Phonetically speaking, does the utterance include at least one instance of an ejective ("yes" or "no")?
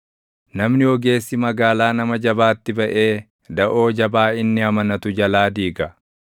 no